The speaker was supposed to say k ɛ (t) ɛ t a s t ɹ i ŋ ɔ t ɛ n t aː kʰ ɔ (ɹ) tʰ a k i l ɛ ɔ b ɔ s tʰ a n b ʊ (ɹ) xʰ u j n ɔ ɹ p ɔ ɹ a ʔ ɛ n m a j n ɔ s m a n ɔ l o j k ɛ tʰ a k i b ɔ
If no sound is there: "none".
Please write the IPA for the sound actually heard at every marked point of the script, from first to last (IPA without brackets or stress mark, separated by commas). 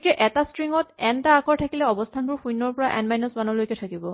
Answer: ʔ, ɹ, ɹ